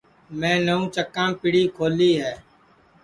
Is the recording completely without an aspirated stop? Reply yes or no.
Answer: no